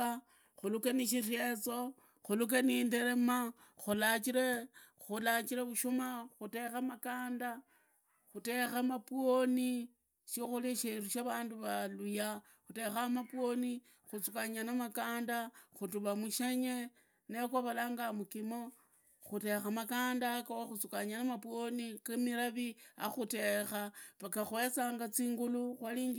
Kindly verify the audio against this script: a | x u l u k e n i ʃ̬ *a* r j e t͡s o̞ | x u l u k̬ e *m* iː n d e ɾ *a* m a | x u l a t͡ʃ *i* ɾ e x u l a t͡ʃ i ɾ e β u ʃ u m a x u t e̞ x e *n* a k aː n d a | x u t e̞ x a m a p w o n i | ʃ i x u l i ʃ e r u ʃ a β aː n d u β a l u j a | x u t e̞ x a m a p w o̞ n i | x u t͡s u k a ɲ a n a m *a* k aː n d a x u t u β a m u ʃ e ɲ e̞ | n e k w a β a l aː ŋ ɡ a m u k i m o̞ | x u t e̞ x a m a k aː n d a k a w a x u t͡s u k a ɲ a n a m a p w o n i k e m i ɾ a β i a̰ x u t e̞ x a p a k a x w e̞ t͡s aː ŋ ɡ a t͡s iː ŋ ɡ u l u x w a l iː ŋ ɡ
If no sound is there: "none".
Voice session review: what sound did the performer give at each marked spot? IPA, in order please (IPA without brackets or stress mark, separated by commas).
i, n, e, i, m, a